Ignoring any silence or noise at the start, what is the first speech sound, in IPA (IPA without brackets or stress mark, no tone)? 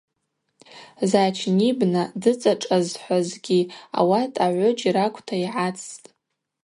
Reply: z